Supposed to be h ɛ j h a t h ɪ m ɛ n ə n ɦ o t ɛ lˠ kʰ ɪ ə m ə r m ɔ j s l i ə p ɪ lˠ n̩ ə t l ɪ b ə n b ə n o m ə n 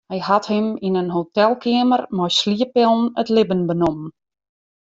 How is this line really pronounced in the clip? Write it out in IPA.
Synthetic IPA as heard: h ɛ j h a t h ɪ m i n ə n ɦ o t ɛ lˠ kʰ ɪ ə m ə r m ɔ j s l i ə p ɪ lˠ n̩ ə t l ɪ b ə n b ə n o m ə n